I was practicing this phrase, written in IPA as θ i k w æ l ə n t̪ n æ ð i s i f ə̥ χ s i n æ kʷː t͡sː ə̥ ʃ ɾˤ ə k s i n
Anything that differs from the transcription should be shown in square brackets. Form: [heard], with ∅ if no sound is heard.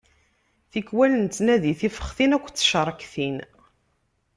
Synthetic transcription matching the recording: θ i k w æ l ə n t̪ n æ ð i [θ] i f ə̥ χ [θ] i n æ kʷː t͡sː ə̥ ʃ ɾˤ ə k [θ] i n